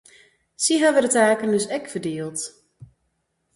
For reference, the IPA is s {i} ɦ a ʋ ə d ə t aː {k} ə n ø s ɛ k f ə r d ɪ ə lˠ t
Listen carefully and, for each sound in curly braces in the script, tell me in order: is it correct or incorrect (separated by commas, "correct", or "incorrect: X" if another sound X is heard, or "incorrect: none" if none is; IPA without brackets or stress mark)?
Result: correct, correct